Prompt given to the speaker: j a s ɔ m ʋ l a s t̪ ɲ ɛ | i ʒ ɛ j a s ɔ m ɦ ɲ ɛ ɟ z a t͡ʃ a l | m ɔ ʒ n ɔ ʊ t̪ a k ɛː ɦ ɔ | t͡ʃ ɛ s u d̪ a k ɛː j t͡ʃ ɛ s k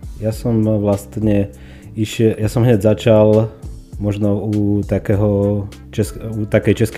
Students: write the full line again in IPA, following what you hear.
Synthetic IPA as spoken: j a s ɔ m ʋ l a s t̪ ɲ ɛ | i ʃ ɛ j a s ɔ m ɦ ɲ ɛ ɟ z a t͡ʃ a l | m ɔ ʒ n ɔ u t̪ a k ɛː ɦ ɔ | t͡ʃ ɛ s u t̪ a k ɛ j t͡ʃ ɛ s k